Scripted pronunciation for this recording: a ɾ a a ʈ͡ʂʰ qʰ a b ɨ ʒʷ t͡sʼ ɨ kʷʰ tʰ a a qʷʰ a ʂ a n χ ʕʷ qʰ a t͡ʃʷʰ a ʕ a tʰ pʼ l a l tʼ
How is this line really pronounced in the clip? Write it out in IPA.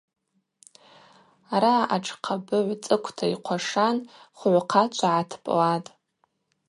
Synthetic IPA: a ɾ a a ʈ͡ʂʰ qʰ a b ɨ ʕʷ t͡sʼ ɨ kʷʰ tʰ a i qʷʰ a ʂ a n χ ʕʷ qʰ a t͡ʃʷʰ a ʕ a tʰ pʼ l a tʼ